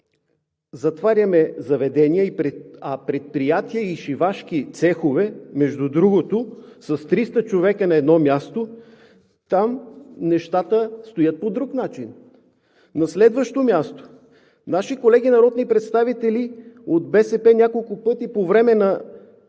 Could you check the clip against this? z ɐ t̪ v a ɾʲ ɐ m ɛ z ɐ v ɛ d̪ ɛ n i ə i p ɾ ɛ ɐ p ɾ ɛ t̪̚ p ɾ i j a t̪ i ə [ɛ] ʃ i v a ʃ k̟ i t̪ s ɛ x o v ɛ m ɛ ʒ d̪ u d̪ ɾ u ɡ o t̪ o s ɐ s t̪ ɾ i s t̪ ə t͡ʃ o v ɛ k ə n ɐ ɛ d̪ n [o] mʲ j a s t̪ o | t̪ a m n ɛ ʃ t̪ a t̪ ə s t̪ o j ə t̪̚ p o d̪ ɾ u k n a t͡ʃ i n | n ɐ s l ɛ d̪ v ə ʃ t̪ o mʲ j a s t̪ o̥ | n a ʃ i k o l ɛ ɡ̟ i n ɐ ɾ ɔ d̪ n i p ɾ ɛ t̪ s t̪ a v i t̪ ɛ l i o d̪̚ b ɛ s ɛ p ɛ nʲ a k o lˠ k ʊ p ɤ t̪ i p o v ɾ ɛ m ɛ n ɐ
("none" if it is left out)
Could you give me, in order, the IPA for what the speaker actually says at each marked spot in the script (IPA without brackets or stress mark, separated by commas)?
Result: i, ɔ